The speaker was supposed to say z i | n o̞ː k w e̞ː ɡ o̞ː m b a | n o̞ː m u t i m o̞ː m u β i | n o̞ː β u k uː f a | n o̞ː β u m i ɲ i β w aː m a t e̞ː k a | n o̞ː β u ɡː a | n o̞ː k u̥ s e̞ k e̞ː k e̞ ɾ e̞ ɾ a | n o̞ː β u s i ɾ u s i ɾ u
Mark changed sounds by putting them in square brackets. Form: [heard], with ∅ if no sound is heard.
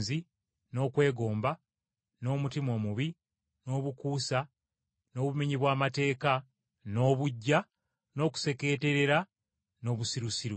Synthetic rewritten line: z i | n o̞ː k w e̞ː ɡ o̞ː m b a | n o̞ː m u t i m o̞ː m u β i | n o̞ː β u k uː [s] a | n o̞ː β u m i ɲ i β w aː m a t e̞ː k a | n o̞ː β u [ɟː] a | n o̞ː k u̥ s e̞ k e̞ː [t] e̞ ɾ e̞ ɾ a | n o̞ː β u s i ɾ u s i ɾ u